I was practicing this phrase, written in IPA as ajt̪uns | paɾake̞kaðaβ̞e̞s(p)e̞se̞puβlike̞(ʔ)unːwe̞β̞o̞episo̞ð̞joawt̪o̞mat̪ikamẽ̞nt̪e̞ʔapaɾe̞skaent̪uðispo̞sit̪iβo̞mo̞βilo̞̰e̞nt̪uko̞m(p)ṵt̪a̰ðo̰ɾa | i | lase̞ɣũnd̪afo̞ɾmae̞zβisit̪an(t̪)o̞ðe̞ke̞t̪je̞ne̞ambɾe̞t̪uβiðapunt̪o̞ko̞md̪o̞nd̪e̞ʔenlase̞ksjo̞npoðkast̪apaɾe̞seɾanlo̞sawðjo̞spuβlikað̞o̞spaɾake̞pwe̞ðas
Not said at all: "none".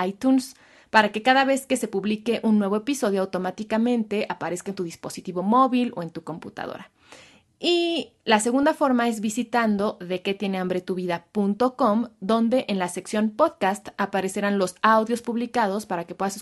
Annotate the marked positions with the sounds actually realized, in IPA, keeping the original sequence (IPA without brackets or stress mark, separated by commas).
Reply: k, ʔ, p, d̪